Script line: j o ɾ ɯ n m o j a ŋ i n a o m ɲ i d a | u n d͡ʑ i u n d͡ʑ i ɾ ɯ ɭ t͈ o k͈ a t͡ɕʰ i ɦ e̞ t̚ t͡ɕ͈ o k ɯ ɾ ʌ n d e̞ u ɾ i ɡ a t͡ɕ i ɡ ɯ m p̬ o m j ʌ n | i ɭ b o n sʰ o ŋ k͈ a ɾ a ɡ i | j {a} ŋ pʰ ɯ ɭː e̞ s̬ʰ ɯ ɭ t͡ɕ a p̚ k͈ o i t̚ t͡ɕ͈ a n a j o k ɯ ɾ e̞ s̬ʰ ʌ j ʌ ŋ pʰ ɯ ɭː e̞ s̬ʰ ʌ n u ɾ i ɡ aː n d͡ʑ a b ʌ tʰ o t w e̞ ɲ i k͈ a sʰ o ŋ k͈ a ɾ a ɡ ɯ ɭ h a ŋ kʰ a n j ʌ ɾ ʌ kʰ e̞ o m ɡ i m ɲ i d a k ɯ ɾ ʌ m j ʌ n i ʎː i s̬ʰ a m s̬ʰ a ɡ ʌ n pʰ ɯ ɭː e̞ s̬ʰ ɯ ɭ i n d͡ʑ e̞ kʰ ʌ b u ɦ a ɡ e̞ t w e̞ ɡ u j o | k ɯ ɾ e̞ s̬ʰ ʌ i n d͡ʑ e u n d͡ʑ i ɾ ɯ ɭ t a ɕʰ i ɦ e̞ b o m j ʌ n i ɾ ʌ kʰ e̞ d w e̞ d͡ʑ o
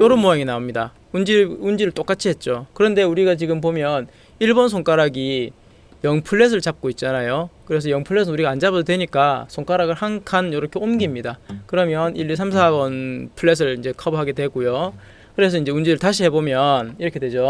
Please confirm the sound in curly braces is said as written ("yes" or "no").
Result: no